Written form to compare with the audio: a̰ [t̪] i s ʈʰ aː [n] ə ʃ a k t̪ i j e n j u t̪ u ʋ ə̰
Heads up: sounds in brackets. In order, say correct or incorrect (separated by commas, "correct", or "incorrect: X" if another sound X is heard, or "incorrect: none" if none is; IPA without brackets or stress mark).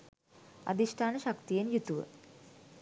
incorrect: d̪, correct